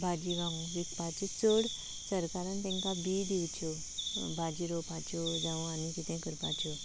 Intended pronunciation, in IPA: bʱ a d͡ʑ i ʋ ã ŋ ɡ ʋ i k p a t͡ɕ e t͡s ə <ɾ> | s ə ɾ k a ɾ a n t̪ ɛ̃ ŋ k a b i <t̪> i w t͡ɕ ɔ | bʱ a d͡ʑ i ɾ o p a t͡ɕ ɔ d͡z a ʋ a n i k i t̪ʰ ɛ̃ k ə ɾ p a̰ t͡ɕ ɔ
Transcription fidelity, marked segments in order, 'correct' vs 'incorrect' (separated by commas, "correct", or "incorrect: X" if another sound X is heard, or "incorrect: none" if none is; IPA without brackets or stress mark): incorrect: ɽ, incorrect: d̪